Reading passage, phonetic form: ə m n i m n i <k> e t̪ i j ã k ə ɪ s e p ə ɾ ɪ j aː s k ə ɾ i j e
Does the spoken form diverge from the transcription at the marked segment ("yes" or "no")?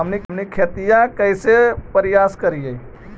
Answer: yes